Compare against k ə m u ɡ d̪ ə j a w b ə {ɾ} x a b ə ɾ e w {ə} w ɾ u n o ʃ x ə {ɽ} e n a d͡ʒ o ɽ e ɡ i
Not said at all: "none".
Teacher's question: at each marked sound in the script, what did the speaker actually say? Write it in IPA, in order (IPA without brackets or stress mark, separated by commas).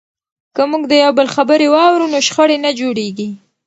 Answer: l, ɑ, ɽ